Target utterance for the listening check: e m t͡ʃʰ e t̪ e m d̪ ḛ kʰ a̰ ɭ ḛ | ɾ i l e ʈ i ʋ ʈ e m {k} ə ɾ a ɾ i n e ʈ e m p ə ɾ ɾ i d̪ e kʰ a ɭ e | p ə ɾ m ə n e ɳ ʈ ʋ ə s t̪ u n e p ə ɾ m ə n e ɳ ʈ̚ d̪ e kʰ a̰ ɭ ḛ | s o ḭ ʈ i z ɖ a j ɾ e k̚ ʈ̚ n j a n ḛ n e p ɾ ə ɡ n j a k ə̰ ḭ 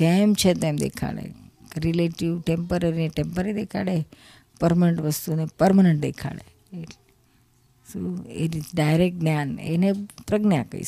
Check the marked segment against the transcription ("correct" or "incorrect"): incorrect